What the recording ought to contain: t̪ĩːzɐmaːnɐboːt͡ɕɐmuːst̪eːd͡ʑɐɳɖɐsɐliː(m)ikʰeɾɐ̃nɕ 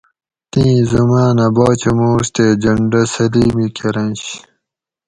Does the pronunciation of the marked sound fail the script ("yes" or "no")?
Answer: no